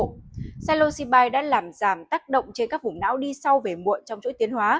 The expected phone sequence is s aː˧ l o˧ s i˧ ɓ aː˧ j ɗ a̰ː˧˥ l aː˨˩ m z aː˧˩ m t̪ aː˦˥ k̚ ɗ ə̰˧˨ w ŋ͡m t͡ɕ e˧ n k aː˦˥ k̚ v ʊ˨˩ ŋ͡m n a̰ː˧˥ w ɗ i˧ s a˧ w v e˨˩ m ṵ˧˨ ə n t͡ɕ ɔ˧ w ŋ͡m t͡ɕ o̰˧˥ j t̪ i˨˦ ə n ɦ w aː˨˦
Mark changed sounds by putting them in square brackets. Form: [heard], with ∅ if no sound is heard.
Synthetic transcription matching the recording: s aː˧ l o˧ s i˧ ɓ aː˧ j ɗ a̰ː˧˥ l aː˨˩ m z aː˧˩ m t̪ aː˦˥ k̚ ɗ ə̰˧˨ w ŋ͡m t͡ɕ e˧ n k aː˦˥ k̚ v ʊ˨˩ ŋ͡m n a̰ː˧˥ w ɗ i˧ s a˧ w v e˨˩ m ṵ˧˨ ə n t͡ɕ ɔ˧ w ŋ͡m t͡ɕ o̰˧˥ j t̪ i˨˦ ə n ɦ w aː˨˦

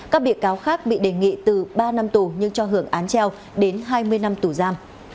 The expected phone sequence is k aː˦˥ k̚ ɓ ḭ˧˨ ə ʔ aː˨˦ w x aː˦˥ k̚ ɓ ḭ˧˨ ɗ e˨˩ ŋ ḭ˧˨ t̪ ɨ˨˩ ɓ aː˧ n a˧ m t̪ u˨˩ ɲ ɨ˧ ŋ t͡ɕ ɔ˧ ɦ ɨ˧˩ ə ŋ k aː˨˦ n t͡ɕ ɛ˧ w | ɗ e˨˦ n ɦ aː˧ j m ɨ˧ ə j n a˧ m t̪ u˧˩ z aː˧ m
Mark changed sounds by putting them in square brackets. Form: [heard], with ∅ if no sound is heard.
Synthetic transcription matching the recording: k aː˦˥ k̚ ɓ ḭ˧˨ ə [k] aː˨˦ w x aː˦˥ k̚ ɓ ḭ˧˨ ɗ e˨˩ ŋ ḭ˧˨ t̪ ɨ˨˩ ɓ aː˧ n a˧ m t̪ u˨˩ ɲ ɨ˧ ŋ t͡ɕ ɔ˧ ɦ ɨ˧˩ ə ŋ [ʔ] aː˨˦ n t͡ɕ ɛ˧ w | ɗ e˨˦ n ɦ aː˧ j m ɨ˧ ə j n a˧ m t̪ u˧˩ z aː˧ m

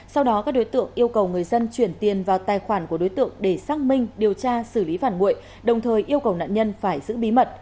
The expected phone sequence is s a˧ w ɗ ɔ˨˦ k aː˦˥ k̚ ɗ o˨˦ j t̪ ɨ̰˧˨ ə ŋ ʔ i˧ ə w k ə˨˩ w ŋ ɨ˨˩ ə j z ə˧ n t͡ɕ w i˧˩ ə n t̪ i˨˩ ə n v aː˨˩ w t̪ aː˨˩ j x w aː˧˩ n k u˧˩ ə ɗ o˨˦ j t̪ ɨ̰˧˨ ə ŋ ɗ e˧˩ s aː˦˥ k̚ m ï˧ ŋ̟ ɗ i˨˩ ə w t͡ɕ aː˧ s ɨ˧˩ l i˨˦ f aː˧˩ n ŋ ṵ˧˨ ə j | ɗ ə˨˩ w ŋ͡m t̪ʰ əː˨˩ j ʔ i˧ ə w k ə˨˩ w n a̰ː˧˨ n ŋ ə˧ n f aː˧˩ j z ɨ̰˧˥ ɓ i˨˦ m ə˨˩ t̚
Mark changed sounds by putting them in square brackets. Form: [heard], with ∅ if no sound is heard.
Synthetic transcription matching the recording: s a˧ w ɗ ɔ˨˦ k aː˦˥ k̚ ɗ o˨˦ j t̪ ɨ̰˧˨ ə ŋ ʔ i˧ ə w k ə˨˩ w ŋ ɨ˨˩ ə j z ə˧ n t͡ɕ w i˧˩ ə n t̪ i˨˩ ə n v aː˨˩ w t̪ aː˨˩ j x w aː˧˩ n k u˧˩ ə ɗ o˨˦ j t̪ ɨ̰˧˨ ə ŋ ɗ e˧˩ s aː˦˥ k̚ m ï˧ ŋ̟ ɗ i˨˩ ə w t͡ɕ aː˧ s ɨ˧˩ l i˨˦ f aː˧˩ n ŋ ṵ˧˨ ə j | ɗ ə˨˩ w ŋ͡m t̪ʰ əː˨˩ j ʔ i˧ ə w k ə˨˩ w n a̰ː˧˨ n [ɲ] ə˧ n f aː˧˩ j z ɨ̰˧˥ ɓ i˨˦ m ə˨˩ t̚

